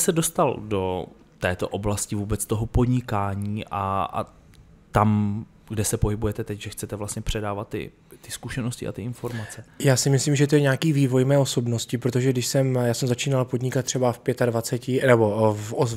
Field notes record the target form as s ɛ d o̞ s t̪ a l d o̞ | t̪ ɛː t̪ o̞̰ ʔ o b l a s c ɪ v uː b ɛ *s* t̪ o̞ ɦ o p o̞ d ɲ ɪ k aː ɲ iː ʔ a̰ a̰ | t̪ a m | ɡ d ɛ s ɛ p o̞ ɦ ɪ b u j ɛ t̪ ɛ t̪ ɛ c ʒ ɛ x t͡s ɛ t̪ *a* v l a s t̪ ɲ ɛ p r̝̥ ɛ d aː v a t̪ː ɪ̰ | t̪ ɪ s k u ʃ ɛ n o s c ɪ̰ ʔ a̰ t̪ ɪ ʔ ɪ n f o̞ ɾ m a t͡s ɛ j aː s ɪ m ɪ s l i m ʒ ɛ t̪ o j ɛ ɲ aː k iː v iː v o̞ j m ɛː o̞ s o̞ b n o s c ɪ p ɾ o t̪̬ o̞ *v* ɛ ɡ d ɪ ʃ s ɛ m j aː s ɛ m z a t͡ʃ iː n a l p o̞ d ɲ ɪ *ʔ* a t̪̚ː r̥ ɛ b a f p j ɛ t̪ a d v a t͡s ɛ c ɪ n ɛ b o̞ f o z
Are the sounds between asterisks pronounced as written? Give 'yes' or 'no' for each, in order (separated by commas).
no, no, no, no